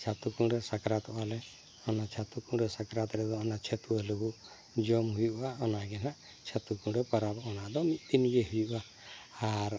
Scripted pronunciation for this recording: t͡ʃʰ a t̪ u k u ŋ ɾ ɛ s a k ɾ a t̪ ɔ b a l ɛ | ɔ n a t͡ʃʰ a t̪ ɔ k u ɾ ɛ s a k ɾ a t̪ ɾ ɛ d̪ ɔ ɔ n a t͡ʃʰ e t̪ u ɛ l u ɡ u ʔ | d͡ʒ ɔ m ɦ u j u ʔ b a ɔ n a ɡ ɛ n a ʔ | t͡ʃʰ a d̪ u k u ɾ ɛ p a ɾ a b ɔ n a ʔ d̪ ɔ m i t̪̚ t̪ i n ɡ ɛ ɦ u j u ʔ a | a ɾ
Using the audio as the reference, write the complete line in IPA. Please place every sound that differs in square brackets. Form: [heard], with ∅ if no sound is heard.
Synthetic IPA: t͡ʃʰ a t̪ u k u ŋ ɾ ɛ s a k ɾ a t̪ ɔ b a l ɛ | ɔ n a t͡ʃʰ a t̪ [u] k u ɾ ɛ s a k ɾ a t̪ ɾ ɛ d̪ ɔ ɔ n a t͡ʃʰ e t̪ u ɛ l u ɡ u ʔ | d͡ʒ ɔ m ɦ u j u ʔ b a ɔ n a ɡ ɛ n a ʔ | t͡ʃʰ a [t̪] u k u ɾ ɛ p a ɾ a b ɔ n a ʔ d̪ ɔ m i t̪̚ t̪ i n ɡ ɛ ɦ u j u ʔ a | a ɾ